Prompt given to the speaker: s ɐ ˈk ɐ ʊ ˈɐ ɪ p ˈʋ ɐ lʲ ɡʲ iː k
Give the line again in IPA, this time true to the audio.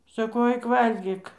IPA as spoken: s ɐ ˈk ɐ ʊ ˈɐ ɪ k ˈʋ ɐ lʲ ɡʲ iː k